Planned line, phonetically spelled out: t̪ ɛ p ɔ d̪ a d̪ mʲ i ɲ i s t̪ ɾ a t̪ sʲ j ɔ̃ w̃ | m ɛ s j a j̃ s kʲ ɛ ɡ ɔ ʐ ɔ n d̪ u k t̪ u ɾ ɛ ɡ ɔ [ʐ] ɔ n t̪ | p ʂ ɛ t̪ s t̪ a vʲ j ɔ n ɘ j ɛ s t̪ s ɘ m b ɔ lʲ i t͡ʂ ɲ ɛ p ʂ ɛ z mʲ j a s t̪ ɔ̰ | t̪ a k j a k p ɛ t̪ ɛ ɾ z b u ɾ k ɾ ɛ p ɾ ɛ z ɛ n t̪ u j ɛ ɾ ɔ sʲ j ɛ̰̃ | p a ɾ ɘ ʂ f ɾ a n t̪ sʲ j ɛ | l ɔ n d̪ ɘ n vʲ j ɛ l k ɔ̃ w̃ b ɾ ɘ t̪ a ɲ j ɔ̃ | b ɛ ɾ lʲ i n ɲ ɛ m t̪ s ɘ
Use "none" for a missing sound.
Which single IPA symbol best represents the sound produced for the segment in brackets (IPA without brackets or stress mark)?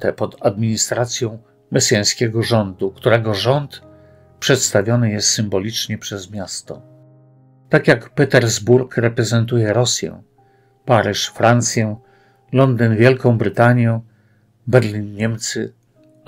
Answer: ʐ